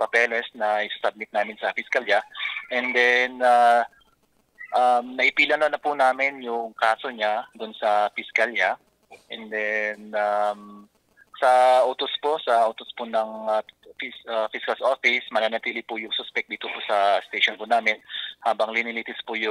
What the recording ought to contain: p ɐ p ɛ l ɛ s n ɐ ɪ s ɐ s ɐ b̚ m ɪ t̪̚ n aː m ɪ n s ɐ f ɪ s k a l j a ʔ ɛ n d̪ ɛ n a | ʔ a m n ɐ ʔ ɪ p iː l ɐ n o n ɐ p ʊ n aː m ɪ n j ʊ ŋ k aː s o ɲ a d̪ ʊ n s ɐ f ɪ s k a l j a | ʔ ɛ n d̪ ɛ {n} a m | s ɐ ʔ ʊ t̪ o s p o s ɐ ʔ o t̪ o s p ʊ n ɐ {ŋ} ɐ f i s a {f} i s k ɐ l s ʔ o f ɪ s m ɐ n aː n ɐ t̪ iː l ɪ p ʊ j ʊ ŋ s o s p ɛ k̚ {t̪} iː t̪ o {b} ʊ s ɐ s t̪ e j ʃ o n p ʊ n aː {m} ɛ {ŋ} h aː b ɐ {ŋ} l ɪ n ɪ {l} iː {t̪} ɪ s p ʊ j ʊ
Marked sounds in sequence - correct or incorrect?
correct, correct, correct, incorrect, incorrect, correct, incorrect, correct, correct, correct

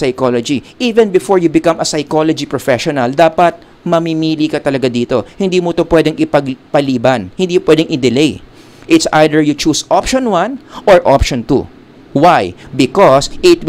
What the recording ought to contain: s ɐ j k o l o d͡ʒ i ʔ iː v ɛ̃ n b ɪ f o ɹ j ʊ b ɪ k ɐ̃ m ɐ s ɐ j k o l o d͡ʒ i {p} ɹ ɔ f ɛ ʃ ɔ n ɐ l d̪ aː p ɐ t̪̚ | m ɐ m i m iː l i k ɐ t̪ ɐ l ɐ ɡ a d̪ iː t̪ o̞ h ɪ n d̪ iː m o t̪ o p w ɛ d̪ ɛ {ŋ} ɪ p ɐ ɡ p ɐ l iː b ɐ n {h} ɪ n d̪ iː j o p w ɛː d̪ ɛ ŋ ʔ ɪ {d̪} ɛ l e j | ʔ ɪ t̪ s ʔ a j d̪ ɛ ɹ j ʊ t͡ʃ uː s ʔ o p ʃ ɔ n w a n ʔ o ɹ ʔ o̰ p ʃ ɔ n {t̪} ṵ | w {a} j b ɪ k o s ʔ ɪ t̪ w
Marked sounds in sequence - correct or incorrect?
correct, correct, correct, correct, correct, correct

